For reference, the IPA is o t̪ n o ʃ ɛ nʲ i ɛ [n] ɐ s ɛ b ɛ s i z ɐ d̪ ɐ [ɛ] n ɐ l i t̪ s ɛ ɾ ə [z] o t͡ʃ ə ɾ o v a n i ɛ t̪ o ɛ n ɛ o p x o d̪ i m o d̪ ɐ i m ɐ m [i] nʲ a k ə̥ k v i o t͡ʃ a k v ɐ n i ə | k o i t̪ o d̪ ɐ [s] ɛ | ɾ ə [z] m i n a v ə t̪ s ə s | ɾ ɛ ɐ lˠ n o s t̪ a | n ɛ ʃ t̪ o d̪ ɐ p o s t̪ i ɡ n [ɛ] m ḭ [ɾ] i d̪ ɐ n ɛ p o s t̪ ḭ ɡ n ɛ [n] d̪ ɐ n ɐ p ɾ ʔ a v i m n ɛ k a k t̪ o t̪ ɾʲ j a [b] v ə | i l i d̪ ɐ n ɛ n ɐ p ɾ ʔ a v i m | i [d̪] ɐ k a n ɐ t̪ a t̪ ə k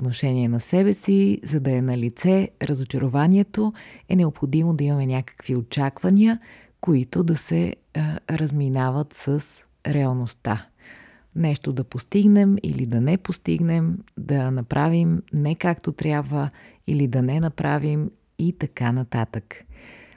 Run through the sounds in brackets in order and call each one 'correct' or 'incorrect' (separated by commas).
correct, correct, correct, incorrect, correct, correct, correct, incorrect, incorrect, correct, incorrect